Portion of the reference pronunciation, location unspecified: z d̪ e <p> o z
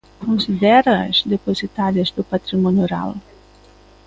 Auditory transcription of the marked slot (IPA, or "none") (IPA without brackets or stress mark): p